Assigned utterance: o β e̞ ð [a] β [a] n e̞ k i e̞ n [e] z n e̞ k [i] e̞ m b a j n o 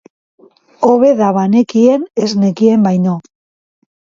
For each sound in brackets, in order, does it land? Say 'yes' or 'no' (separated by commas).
yes, yes, yes, yes